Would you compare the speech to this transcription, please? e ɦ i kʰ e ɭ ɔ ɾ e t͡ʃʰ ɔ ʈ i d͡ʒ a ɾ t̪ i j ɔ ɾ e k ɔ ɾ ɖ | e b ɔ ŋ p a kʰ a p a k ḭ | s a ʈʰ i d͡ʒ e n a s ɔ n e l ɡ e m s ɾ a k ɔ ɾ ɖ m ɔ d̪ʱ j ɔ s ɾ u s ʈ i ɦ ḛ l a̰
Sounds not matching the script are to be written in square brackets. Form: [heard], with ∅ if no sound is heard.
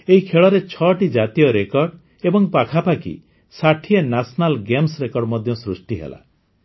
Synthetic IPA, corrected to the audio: e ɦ i kʰ e ɭ ɔ ɾ e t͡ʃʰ ɔ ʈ i d͡ʒ a [∅] t̪ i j ɔ ɾ e k ɔ ɾ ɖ | e b ɔ ŋ p a kʰ a p a k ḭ | s a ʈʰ i [∅] e n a s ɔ n [a] l ɡ e m s ɾ [e] k ɔ ɾ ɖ m ɔ d̪ʱ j ɔ s ɾ u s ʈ i ɦ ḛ l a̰